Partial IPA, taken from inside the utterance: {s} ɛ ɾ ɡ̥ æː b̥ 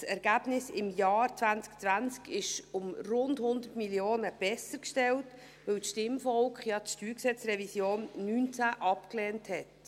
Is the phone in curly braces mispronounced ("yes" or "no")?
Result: no